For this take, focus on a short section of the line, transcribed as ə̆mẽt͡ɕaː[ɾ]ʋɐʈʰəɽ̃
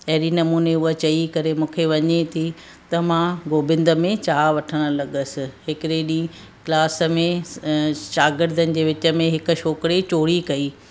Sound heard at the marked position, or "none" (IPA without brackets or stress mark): none